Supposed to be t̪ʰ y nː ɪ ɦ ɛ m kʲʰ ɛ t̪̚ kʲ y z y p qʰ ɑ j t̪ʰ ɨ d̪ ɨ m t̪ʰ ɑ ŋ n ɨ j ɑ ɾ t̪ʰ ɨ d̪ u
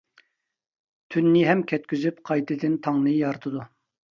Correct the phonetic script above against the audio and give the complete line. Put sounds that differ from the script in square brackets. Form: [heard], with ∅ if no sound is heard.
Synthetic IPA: t̪ʰ y nː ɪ ɦ ɛ m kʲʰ ɛ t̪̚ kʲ y z y p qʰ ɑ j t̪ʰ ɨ d̪ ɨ [n] t̪ʰ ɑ ŋ n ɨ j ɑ ɾ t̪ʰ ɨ d̪ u